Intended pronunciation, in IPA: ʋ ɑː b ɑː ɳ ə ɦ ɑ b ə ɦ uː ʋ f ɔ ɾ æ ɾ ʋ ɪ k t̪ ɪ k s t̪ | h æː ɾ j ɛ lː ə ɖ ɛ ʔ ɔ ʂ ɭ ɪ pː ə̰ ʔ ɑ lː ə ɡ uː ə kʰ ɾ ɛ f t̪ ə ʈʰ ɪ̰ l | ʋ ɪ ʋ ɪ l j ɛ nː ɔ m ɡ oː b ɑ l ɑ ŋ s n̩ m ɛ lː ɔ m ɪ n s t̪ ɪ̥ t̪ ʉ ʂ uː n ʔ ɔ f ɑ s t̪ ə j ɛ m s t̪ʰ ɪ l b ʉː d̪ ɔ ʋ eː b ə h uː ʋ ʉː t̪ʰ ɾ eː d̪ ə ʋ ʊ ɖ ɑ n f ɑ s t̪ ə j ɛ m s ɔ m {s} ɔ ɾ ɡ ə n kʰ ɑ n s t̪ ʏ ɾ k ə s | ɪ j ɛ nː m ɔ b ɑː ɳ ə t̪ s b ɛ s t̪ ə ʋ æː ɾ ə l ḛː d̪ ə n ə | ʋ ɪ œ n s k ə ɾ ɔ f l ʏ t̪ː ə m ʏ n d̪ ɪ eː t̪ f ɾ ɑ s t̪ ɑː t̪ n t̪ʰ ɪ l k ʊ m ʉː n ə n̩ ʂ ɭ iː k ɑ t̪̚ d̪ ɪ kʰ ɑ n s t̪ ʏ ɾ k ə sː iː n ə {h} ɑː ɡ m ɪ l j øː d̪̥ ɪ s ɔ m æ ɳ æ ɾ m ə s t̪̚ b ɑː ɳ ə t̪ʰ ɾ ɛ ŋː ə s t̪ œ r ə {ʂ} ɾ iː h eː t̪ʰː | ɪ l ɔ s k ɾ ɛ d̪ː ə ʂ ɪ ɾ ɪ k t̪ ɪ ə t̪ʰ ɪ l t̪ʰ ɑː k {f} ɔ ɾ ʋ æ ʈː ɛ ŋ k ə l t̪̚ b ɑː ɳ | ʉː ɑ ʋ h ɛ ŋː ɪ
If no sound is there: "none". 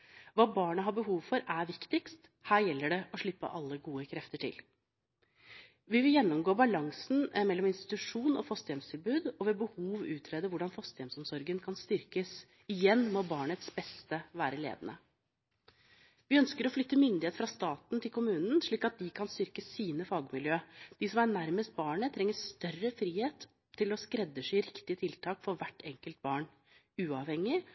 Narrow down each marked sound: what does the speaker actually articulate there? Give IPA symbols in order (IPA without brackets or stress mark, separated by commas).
s, f, f, f